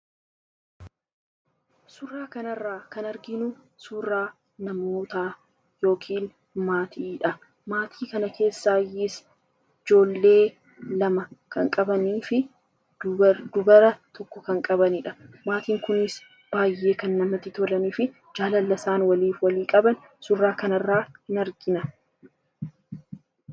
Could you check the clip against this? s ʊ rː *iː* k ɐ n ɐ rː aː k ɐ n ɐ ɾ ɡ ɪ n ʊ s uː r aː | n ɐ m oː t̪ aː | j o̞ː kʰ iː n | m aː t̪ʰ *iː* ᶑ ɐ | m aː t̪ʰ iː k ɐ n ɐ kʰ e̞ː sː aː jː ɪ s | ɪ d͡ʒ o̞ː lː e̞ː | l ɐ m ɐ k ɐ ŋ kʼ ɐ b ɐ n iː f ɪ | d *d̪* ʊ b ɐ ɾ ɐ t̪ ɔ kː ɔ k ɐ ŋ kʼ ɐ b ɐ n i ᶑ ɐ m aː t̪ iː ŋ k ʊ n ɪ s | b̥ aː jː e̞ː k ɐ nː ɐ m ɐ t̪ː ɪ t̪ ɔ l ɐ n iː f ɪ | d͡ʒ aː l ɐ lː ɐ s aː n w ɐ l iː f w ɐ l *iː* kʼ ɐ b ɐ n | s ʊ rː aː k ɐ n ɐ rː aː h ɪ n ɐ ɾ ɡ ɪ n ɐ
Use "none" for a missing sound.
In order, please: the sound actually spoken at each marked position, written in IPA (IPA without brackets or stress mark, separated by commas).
aː, iː, d̪, iː